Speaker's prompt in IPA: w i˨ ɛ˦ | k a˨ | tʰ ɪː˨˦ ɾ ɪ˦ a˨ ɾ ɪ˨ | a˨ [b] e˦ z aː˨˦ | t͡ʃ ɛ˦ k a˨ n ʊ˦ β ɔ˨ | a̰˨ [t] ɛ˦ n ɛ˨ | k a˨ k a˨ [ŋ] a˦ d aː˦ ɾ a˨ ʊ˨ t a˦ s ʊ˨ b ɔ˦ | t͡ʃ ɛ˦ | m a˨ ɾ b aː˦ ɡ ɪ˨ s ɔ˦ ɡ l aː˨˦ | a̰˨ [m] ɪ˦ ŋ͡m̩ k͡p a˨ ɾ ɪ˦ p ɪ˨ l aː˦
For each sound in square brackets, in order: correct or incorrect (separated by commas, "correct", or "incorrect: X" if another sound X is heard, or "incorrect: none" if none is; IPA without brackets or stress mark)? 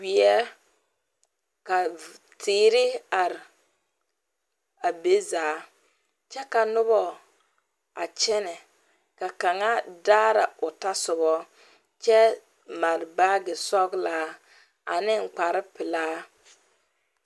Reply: correct, incorrect: t͡ʃ, correct, incorrect: n